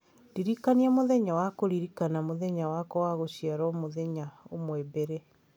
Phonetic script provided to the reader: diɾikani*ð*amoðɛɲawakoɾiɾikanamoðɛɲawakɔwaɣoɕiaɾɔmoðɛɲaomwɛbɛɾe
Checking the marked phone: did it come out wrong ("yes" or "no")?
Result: yes